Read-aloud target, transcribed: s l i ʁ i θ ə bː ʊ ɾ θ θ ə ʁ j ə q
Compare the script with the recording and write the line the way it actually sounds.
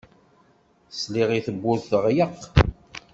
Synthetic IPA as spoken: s l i ʁ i θ ə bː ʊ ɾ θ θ ə ʁ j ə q